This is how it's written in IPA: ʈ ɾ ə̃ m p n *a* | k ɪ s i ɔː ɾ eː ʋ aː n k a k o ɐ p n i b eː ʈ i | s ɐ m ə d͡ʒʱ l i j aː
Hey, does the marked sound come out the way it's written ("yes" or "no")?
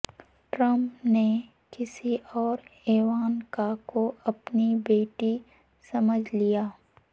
no